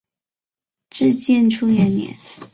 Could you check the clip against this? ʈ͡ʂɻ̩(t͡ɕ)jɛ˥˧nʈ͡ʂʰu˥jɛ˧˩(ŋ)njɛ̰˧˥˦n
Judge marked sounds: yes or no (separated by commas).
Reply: yes, no